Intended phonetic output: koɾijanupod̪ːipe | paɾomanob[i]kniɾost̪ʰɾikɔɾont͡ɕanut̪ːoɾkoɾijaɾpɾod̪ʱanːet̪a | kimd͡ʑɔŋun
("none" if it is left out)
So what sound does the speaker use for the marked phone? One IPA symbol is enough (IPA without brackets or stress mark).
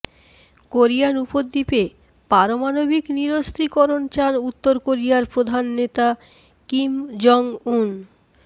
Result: i